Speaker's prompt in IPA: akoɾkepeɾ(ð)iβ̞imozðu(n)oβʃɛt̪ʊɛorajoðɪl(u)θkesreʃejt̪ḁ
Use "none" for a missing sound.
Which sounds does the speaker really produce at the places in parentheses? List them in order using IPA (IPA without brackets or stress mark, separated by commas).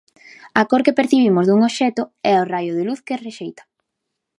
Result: θ, ŋ, u